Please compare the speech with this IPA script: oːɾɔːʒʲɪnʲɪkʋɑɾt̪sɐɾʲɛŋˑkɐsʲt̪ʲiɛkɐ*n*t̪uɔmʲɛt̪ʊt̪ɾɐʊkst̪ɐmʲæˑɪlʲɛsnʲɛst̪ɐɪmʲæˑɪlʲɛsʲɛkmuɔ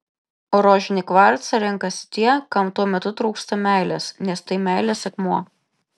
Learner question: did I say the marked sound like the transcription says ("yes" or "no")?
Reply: no